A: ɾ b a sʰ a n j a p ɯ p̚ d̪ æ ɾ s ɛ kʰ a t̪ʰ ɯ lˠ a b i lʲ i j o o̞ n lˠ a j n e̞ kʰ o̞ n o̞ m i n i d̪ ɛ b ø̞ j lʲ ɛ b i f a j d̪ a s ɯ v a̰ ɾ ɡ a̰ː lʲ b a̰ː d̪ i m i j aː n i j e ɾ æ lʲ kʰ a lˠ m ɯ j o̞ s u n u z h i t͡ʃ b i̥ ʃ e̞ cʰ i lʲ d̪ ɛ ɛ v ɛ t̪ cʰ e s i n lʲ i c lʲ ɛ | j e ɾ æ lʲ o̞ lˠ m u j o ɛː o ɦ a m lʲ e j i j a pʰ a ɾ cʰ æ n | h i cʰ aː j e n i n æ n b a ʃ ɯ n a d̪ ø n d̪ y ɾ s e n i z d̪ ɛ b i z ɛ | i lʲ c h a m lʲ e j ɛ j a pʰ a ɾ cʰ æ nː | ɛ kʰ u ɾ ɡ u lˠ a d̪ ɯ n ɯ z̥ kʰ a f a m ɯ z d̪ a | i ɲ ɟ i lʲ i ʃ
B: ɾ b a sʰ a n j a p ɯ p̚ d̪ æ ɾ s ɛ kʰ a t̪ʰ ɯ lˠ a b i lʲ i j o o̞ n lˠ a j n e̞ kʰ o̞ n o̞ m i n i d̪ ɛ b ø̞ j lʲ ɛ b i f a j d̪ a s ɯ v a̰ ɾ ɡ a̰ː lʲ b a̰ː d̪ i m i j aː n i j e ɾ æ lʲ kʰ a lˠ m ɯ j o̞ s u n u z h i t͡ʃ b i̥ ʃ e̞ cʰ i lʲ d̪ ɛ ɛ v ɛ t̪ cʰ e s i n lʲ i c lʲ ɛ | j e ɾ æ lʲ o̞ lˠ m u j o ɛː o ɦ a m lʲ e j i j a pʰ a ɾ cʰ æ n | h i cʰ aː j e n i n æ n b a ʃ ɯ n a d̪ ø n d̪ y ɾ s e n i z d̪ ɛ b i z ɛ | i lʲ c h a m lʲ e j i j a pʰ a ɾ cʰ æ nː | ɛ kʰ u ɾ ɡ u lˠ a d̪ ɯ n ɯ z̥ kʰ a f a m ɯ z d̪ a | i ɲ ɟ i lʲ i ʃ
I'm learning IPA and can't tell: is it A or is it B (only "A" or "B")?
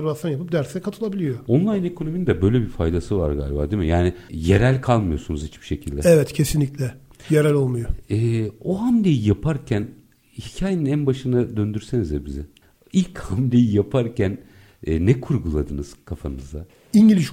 B